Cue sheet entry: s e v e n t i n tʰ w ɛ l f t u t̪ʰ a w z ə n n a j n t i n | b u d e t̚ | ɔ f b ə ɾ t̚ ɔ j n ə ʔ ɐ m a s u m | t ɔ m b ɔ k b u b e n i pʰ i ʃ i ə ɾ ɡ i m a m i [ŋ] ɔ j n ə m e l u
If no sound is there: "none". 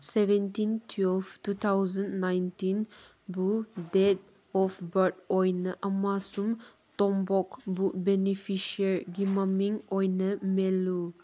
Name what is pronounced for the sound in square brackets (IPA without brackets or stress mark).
ŋ